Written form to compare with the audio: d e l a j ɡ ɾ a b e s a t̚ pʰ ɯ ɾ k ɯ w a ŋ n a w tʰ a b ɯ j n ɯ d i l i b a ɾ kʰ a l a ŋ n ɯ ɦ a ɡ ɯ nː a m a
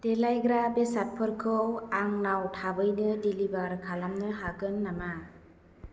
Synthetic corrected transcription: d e l a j ɡ ɾ a b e s a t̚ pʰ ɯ ɾ kʰ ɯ w a ŋ n a w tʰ a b ɯ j n ɯ d i l i b a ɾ kʰ a l a m n ɯ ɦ a ɡ ɯ nː a m a